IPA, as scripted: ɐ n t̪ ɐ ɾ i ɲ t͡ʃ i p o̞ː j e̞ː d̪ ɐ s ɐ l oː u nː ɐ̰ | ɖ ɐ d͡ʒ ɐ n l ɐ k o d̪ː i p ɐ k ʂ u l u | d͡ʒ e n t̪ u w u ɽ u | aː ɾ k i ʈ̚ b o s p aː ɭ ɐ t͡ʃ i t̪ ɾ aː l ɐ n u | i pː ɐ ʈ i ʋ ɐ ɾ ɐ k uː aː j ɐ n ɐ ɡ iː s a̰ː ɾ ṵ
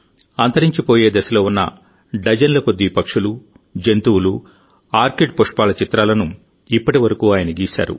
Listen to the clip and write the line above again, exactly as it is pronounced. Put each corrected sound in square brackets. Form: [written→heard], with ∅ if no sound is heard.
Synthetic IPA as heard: ɐ n t̪ ɐ ɾ i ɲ t͡ʃ i p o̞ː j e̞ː d̪ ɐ s ɐ l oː u nː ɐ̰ | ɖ ɐ d͡ʒ ɐ n l ɐ k o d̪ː i p ɐ k ʂ u l u | d͡ʒ e n t̪ u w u [ɽ→l] u | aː ɾ k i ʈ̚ [b→p] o [s→ʂ] p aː [ɭ→l] ɐ t͡ʃ i t̪ ɾ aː l ɐ n u | i pː ɐ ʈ i ʋ ɐ ɾ ɐ k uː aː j ɐ n ɐ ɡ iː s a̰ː ɾ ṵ

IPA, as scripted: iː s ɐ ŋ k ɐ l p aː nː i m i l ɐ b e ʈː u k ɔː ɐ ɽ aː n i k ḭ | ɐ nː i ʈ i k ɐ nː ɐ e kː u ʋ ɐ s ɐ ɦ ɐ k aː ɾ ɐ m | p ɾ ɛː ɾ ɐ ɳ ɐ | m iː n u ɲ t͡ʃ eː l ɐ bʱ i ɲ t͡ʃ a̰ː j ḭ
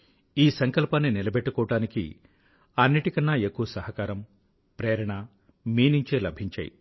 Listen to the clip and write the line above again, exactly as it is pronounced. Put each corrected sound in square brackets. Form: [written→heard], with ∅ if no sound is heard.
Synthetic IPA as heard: iː s ɐ ŋ k ɐ l p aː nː i [m→n] i l ɐ b e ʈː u k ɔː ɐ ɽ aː n i k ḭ | ɐ nː i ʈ i k ɐ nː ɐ e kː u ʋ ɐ s ɐ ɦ ɐ k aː ɾ ɐ m | p ɾ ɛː ɾ ɐ ɳ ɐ | m iː n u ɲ t͡ʃ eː l ɐ bʱ i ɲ t͡ʃ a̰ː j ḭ

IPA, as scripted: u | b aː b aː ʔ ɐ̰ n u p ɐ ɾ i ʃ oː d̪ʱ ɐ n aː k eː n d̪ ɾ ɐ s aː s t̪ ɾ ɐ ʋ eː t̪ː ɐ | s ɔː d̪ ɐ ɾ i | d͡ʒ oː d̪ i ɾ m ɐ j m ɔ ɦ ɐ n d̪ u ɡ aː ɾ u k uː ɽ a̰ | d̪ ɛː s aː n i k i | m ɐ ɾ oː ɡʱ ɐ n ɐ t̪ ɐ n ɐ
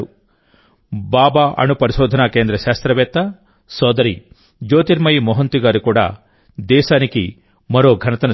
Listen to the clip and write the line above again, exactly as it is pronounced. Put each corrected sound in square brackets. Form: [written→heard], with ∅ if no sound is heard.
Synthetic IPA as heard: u | b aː b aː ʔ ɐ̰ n u p ɐ ɾ i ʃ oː d̪ʱ ɐ n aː k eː n d̪ ɾ ɐ [s→ʃ] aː s t̪ ɾ ɐ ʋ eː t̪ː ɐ | s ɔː d̪ ɐ ɾ i | d͡ʒ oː [d̪→t̪] i ɾ m ɐ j m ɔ ɦ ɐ n [d̪→t̪] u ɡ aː ɾ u k uː ɽ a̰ | d̪ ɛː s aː n i k i | m ɐ ɾ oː ɡʱ ɐ n ɐ t̪ ɐ n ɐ

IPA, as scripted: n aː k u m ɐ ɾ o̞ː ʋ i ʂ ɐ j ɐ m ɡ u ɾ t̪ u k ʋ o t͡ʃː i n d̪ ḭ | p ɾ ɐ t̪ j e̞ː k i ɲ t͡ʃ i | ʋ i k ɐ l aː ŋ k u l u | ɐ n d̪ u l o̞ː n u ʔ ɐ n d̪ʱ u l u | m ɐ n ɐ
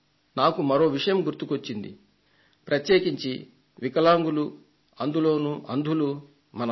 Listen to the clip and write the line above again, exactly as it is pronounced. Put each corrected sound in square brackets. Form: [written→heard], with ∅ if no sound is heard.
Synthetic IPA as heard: n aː k u m ɐ ɾ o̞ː ʋ i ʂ ɐ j ɐ m ɡ u ɾ t̪ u k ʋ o t͡ʃː i n d̪ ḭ | p ɾ ɐ t̪ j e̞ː k i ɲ t͡ʃ i | ʋ i k ɐ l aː ŋ [k→ɡ] u l u | ɐ n d̪ u l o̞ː n u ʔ ɐ n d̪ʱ u l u | m ɐ n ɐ

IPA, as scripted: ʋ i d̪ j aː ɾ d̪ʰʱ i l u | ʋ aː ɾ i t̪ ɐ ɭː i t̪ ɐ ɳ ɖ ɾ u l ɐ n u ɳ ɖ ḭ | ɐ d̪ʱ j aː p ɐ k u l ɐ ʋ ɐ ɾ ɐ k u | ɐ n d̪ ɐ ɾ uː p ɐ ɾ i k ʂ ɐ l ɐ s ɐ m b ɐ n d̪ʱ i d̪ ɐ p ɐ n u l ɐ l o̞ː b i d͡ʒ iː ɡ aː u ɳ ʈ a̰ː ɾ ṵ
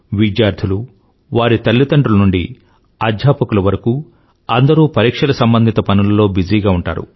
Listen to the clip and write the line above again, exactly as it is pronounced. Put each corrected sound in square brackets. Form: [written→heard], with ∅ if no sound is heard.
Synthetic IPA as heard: ʋ i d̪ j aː ɾ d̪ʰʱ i l u | ʋ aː ɾ i t̪ ɐ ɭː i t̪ ɐ ɳ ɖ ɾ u l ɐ n u ɳ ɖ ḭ | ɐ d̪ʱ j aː p ɐ k u l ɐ ʋ ɐ ɾ ɐ k u | ɐ n d̪ ɐ ɾ uː p ɐ ɾ [i→iː] k ʂ ɐ l ɐ s ɐ m b ɐ n d̪ʱ i [d̪→t̪] ɐ p ɐ n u l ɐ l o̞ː b i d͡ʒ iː ɡ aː u ɳ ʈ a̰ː ɾ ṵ

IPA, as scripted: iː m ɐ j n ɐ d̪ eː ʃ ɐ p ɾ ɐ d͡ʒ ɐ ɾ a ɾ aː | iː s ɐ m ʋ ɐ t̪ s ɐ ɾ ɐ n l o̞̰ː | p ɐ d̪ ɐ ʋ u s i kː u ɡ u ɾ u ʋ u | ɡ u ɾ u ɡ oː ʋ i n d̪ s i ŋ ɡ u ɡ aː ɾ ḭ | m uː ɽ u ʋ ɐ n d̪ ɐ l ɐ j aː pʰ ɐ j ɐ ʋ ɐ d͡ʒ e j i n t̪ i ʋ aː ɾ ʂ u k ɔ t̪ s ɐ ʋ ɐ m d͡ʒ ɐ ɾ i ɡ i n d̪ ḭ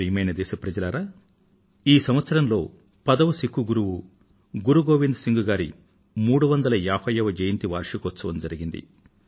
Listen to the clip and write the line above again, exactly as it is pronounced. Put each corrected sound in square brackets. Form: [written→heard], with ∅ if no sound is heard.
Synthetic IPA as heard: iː m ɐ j n ɐ d̪ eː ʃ ɐ p ɾ ɐ d͡ʒ ɐ [ɾ→l] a ɾ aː | iː s ɐ m ʋ ɐ t̪ s ɐ ɾ ɐ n l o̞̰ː | p ɐ d̪ ɐ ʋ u s i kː u ɡ u ɾ u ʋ u | ɡ u ɾ u ɡ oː ʋ i n d̪ s i ŋ ɡ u ɡ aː ɾ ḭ | m uː ɽ u ʋ ɐ n d̪ ɐ l ɐ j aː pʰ ɐ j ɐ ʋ ɐ d͡ʒ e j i n t̪ i ʋ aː ɾ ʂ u k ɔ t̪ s ɐ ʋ ɐ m d͡ʒ ɐ ɾ i ɡ i n d̪ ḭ

